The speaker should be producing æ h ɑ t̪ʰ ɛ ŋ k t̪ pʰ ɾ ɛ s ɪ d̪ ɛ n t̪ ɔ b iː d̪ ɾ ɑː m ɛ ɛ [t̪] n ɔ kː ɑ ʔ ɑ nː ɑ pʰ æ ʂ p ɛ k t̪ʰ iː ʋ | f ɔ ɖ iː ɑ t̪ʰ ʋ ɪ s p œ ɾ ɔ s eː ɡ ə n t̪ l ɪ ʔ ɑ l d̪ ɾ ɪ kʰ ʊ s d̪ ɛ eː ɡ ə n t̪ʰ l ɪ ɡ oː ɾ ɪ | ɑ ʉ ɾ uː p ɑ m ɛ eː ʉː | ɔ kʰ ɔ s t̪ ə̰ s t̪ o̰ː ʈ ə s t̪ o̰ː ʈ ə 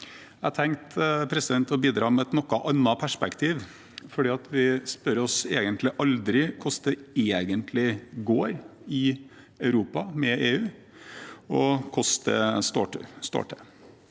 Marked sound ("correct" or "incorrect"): correct